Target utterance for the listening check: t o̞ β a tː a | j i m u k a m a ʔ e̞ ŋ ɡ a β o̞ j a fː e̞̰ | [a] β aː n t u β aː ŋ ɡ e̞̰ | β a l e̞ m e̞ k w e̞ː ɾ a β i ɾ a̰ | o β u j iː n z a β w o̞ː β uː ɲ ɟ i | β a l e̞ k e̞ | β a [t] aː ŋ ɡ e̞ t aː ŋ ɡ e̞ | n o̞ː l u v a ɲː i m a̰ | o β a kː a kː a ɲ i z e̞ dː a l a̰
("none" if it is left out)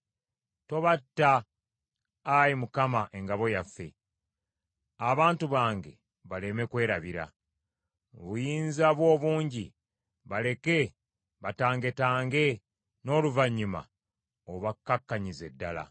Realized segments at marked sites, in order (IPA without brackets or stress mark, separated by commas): a, t